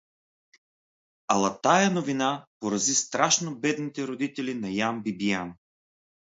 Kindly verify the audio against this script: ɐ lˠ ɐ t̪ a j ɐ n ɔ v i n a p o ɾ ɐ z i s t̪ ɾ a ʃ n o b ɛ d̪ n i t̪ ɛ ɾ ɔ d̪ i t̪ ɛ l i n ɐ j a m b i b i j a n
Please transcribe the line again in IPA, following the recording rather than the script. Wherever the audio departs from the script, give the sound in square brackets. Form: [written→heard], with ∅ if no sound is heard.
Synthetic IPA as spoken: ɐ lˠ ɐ t̪ a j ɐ n [ɔ→o] v i n a p o ɾ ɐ z i s t̪ ɾ a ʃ n o b ɛ d̪ n i t̪ ɛ ɾ [ɔ→o] d̪ i t̪ ɛ l i n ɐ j a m b i b i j a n